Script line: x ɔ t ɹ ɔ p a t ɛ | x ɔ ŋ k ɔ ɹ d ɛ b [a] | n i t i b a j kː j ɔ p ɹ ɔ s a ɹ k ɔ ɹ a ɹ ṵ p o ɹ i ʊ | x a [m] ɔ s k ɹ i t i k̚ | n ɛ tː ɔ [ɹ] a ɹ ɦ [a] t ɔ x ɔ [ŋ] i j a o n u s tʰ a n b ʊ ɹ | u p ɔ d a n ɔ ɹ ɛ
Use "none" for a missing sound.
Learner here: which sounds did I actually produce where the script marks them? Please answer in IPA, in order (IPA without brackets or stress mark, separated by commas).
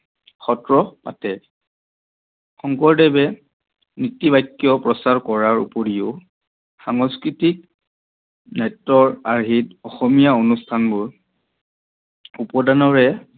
ɛ, ŋ, ɹ, i, m